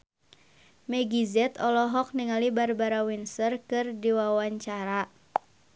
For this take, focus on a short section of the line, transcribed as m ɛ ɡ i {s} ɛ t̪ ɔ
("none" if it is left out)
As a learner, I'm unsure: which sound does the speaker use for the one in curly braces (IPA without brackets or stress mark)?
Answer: z